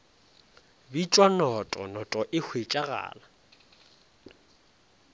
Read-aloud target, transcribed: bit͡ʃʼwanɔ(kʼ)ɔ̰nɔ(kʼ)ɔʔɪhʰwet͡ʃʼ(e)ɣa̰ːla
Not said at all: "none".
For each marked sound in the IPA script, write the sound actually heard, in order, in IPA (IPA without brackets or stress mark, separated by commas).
tʼ, tʼ, a